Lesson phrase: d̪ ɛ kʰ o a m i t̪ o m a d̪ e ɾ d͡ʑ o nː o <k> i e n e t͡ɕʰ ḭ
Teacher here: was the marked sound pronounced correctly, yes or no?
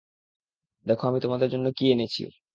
yes